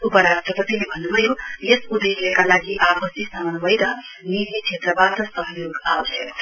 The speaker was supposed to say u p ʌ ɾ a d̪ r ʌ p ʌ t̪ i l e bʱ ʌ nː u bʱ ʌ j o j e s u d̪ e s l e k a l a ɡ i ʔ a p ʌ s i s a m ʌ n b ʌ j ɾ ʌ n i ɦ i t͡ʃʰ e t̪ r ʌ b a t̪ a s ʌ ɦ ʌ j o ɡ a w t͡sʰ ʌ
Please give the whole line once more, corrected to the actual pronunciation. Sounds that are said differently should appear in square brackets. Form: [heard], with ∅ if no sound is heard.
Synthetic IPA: u p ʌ ɾ a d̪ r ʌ p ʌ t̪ i l e bʱ ʌ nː u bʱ ʌ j o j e s u d̪ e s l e k a l a ɡ i ʔ a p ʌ s i s a m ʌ n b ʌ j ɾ ʌ n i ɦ i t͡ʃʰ e t̪ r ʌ b a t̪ [ʌ] s ʌ ɦ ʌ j o ɡ a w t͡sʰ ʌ